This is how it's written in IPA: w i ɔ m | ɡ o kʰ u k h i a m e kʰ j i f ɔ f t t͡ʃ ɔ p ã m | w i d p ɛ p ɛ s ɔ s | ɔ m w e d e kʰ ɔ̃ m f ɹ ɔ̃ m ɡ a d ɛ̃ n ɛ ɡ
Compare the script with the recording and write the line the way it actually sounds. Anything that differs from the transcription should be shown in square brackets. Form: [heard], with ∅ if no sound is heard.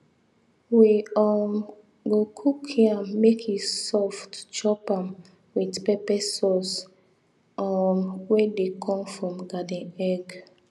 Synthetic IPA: w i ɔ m | ɡ o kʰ u k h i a m e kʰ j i [s] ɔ f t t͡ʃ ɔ p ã m | w i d p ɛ p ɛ s ɔ s | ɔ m w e d e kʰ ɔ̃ m f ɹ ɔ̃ m ɡ a d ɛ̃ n ɛ ɡ